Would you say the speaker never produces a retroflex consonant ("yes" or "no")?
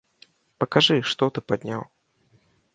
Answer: no